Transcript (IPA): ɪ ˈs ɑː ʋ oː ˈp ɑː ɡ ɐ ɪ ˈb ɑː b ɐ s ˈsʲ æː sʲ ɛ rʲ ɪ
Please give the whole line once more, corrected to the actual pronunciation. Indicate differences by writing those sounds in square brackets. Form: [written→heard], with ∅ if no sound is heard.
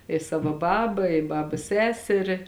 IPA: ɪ ˈs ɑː ʋ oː [ˈp→ˈb] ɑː [ɡ→b] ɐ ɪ ˈb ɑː b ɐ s ˈsʲ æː sʲ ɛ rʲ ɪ